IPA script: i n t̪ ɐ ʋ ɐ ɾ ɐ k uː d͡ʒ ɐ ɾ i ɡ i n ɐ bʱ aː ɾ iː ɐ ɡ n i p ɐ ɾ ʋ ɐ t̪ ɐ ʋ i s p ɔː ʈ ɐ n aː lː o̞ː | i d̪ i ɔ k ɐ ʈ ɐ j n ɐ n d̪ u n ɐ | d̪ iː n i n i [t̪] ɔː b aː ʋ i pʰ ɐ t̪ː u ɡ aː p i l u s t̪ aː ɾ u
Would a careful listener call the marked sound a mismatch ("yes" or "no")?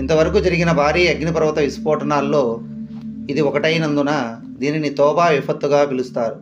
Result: no